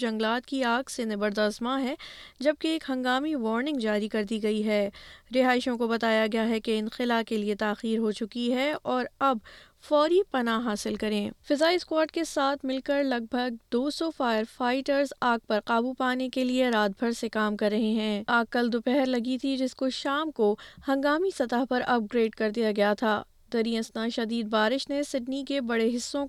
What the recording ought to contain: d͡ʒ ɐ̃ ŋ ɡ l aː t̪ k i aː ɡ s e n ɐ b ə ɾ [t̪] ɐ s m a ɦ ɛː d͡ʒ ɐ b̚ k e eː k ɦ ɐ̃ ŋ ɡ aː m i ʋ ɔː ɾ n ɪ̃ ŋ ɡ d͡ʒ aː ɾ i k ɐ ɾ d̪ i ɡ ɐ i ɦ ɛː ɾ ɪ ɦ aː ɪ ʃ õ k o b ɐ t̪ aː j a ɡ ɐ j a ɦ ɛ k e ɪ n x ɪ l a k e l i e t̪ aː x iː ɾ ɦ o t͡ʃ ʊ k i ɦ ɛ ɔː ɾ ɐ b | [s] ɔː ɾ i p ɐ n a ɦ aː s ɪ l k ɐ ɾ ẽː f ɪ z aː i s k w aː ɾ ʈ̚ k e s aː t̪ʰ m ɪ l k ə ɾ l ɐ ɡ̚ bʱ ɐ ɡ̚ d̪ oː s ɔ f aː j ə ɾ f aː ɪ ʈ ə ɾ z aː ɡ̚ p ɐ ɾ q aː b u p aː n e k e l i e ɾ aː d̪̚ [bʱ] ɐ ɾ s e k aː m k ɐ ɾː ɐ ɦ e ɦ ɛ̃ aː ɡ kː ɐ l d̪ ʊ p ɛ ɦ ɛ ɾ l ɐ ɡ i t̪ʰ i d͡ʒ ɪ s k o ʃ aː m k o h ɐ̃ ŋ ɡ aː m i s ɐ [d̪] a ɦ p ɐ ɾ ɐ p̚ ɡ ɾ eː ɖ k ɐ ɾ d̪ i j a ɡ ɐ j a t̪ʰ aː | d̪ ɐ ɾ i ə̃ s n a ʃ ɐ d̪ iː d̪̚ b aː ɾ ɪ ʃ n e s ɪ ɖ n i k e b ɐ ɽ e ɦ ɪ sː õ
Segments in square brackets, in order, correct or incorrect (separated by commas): incorrect, incorrect, correct, incorrect